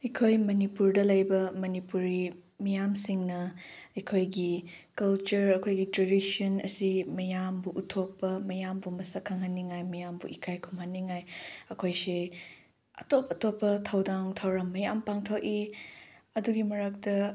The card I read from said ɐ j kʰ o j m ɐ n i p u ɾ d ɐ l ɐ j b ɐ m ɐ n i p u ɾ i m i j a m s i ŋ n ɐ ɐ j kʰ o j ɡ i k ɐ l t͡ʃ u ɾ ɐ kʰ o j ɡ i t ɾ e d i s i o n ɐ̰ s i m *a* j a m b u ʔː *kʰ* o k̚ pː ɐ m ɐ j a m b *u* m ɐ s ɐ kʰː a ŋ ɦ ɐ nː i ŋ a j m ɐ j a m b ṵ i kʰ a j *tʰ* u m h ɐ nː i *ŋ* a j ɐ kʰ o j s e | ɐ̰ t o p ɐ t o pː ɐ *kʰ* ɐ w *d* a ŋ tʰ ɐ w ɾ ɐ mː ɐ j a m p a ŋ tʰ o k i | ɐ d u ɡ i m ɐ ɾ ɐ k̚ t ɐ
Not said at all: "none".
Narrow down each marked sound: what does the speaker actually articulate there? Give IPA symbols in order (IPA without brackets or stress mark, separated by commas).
ɐ, tʰ, u, kʰ, ŋ, tʰ, d